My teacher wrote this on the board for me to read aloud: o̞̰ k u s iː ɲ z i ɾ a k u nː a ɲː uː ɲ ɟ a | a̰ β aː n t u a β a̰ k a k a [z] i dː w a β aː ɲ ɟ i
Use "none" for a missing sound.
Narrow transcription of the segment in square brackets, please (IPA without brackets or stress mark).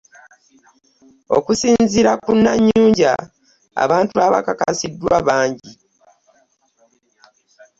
s